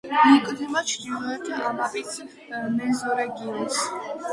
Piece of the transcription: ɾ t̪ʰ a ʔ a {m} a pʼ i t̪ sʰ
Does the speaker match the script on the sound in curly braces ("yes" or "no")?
yes